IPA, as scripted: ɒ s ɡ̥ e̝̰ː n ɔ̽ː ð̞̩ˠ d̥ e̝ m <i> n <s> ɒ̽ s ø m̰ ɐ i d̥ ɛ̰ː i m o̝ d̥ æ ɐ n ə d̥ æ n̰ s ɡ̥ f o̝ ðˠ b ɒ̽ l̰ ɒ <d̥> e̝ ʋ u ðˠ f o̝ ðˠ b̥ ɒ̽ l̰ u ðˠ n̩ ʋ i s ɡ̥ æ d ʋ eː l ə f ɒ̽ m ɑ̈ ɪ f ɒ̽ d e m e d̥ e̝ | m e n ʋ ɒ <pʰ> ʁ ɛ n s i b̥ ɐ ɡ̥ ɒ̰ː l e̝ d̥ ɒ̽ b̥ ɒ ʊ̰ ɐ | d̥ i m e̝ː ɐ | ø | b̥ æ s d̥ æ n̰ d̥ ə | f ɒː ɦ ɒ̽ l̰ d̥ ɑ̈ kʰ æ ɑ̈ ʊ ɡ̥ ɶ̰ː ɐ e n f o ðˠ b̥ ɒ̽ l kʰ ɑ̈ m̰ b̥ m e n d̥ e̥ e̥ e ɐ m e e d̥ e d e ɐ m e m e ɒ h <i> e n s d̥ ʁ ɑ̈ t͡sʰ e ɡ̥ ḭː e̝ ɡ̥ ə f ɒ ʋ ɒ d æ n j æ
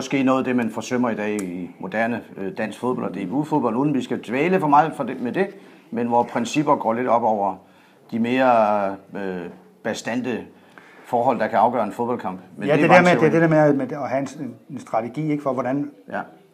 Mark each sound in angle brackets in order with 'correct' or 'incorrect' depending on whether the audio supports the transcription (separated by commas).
incorrect, incorrect, correct, correct, incorrect